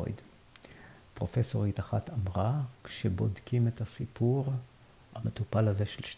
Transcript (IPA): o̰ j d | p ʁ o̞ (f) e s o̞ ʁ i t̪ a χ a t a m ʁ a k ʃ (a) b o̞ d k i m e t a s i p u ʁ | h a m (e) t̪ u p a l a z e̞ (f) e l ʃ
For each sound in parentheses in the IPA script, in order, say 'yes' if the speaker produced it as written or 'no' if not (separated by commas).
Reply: yes, no, yes, no